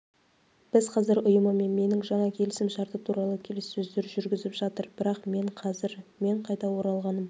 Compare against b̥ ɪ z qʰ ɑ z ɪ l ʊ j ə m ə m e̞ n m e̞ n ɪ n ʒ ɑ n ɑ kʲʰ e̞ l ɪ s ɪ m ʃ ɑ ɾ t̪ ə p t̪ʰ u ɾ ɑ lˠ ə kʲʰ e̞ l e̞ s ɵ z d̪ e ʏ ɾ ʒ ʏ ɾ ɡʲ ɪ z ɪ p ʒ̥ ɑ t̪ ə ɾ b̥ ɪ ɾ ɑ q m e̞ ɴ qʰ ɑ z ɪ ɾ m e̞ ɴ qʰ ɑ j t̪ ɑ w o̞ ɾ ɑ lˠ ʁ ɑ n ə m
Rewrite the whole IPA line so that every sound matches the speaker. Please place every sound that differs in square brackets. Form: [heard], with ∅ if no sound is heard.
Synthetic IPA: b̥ ɪ z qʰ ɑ z ɪ [ɾ] ʊ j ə m ə m e̞ n m e̞ n ɪ [ŋ] ʒ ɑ [ɴ] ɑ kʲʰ e̞ l ɪ s ɪ m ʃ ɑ ɾ t̪ ə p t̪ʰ u ɾ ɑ lˠ ə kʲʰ e̞ l e̞ s ɵ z d̪ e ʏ ɾ ʒ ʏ ɾ ɡʲ ɪ z ɪ p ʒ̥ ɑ t̪ ə ɾ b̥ ɪ ɾ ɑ q m e̞ ɴ qʰ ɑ z ɪ ɾ m e̞ ɴ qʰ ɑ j t̪ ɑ w o̞ ɾ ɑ lˠ ʁ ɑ n ə m